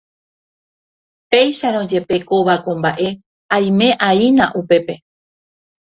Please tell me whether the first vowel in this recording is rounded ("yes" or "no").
no